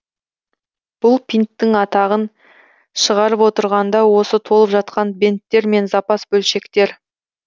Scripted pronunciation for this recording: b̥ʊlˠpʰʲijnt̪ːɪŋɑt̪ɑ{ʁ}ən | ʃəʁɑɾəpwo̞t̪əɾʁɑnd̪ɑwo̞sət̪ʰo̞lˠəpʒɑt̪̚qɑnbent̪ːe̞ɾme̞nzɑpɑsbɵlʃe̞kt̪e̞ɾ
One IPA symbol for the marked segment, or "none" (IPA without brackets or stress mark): ʁ